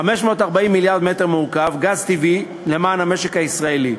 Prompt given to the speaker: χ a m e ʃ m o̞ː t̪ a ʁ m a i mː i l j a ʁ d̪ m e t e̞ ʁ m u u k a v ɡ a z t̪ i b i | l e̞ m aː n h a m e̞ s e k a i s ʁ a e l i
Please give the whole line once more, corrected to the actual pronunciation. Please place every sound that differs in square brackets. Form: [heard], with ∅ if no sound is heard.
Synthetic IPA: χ a m e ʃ m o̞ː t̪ a ʁ [b] a i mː i l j a ʁ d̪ m e t e̞ ʁ m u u k a v ɡ a z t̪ i [v] i | l e̞ m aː n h a m e̞ [ʃ] e k a i s ʁ a e l i